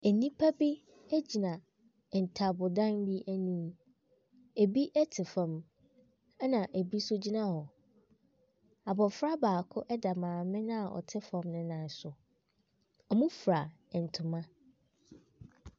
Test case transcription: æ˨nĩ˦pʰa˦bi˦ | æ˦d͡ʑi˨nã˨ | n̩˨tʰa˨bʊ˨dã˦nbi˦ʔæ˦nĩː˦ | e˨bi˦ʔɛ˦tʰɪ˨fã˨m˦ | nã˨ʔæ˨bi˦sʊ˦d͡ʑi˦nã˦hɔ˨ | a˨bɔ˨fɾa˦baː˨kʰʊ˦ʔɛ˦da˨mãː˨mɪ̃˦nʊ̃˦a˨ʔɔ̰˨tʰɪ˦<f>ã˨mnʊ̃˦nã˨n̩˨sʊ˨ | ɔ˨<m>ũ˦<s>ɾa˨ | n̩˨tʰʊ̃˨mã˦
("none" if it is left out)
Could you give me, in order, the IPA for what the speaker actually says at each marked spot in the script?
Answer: f, m, f

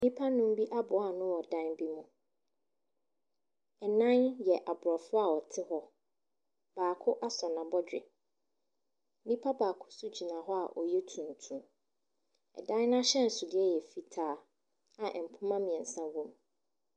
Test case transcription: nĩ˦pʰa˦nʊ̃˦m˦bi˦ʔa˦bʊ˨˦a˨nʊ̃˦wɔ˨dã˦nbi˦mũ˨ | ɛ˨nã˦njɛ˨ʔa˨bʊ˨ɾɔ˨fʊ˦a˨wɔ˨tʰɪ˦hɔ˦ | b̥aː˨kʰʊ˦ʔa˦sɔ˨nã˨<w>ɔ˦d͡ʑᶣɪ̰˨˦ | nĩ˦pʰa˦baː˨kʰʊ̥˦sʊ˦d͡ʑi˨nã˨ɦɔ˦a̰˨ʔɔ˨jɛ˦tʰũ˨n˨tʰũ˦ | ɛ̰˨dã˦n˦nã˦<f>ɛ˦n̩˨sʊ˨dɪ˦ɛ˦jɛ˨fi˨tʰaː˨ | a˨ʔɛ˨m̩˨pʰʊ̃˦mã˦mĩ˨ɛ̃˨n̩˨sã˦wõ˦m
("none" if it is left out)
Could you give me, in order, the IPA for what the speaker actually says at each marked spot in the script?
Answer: b, ɕ

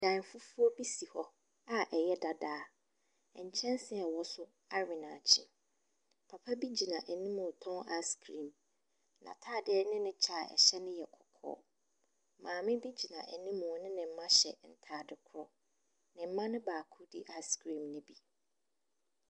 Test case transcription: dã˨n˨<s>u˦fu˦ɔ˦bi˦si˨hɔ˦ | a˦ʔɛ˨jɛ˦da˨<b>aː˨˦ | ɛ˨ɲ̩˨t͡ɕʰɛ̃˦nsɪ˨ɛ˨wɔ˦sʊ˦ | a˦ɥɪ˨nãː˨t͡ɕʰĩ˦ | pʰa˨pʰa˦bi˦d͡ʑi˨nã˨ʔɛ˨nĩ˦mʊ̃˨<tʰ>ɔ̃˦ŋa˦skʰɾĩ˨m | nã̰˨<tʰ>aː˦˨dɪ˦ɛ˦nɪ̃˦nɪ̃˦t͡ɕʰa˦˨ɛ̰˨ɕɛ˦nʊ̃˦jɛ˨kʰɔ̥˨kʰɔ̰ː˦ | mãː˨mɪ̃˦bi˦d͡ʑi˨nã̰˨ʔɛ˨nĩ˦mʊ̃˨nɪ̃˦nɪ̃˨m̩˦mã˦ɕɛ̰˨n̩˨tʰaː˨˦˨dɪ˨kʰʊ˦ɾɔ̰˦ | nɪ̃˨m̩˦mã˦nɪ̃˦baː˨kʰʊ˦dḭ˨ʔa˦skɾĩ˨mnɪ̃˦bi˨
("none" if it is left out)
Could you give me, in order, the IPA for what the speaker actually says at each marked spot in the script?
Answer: f, d, tʰ, tʰ

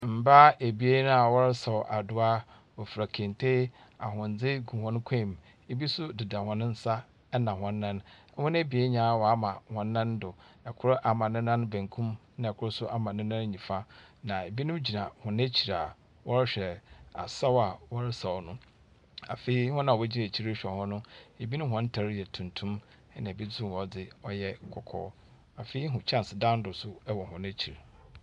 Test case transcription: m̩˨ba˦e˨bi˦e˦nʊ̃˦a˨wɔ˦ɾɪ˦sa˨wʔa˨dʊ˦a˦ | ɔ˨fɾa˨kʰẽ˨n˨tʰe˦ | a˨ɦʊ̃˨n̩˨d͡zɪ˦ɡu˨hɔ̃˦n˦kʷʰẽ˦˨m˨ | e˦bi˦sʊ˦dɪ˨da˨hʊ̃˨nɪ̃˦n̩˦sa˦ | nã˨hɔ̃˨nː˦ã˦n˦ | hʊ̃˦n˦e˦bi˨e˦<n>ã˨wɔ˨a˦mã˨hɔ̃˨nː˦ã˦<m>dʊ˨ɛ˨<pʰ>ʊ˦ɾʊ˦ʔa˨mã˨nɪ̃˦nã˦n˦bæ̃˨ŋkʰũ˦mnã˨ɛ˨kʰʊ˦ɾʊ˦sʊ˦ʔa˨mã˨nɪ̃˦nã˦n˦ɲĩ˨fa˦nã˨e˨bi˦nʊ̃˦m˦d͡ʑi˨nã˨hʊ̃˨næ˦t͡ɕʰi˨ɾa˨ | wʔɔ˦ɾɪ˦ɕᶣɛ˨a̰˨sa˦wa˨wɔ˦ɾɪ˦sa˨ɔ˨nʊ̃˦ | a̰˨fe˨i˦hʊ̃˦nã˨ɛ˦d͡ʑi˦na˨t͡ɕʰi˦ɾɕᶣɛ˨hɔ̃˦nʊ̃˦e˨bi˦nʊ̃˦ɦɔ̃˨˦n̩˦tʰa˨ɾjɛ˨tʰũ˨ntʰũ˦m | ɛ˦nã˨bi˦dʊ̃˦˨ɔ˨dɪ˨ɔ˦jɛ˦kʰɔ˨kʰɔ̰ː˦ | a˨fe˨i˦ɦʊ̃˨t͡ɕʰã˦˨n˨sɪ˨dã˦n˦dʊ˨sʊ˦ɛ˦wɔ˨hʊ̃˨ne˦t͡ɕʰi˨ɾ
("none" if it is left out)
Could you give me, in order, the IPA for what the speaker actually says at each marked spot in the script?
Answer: ɲ, n, kʰ

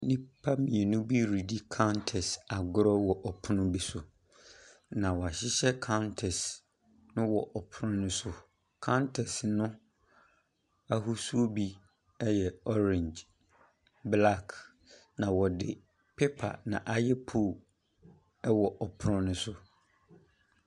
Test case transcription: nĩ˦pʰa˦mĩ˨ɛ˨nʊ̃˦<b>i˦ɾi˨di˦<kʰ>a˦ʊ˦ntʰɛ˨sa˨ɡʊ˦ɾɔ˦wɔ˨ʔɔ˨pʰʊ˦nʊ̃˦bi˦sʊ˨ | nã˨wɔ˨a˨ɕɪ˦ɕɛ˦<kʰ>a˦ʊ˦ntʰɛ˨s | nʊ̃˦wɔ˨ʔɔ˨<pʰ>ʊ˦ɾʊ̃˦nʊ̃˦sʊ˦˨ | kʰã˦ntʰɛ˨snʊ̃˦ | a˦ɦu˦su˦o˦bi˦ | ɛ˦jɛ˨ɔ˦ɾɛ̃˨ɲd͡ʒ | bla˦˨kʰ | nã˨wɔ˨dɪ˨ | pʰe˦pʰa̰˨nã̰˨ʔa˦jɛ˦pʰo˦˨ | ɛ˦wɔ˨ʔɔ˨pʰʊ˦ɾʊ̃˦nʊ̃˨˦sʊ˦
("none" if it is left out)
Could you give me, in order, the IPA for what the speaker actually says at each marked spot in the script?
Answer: b, kʰ, kʰ, pʰ

